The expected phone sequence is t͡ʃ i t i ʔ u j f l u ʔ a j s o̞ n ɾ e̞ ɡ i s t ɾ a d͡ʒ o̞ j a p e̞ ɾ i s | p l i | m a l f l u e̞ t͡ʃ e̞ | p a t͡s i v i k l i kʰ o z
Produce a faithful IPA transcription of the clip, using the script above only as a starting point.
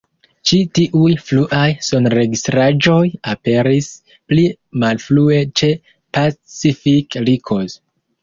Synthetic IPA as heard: t͡ʃ i t i ʔ u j f l u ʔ a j s o̞ n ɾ e̞ ɡ i s t ɾ a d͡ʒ o̞ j a p e̞ ɾ i s | p l i | m a l f l u e̞ t͡ʃ e̞ | p a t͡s i f i k l i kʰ o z